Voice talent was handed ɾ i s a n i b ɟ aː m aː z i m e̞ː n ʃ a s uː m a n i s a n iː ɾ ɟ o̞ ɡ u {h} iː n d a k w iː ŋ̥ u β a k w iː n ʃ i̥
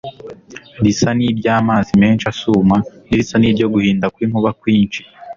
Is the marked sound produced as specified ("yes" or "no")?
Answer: yes